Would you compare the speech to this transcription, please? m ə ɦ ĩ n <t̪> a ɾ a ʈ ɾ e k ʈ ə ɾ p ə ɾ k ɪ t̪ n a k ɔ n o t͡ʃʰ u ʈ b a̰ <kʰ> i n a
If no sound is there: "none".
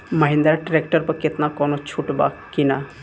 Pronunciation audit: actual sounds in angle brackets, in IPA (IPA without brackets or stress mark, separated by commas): d̪, k